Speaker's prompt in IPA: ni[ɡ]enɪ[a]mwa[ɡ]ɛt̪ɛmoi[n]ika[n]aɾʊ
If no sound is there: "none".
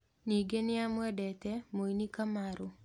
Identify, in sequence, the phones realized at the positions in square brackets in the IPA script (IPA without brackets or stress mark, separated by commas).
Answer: ɡ, a, d, n, m